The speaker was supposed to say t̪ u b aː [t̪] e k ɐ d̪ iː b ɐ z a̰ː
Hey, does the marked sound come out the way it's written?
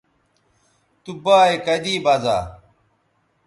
no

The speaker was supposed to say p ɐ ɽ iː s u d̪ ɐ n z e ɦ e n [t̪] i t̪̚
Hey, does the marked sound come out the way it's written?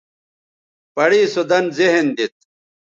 no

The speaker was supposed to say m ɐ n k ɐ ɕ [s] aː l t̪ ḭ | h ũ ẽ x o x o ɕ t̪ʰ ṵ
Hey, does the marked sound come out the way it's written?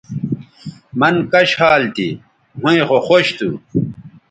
no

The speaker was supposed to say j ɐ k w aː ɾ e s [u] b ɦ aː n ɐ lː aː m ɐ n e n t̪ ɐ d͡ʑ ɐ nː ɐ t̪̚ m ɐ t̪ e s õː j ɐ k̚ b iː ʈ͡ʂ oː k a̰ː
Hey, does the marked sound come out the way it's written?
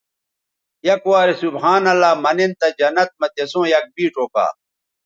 yes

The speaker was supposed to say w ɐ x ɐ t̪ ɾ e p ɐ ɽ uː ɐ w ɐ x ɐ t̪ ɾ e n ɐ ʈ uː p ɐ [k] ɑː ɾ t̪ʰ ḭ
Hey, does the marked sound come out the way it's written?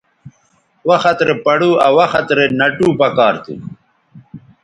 yes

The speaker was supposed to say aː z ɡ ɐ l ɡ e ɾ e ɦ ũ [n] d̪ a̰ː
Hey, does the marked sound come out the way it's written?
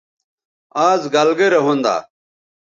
yes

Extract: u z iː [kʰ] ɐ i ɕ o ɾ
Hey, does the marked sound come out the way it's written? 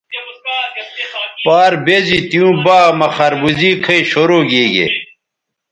yes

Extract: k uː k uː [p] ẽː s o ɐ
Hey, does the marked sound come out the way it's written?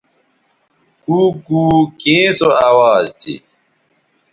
no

